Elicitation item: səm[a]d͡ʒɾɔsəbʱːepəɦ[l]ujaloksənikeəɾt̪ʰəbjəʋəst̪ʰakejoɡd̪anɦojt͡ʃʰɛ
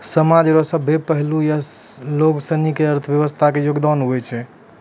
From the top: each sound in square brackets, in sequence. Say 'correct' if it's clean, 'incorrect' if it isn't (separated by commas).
correct, correct